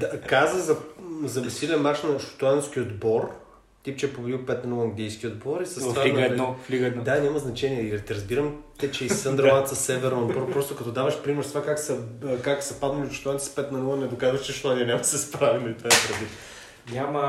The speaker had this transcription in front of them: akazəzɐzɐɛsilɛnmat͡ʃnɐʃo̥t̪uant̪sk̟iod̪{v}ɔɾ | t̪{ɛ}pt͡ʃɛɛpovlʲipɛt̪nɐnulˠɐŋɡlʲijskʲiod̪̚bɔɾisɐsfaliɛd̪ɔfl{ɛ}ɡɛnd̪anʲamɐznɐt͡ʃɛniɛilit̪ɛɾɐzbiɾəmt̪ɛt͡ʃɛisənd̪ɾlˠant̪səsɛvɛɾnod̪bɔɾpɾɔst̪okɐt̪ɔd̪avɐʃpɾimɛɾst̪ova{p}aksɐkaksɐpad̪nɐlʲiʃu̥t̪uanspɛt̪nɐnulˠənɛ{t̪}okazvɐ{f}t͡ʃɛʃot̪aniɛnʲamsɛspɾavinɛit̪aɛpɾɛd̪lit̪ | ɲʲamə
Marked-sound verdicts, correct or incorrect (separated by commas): incorrect, incorrect, incorrect, incorrect, incorrect, incorrect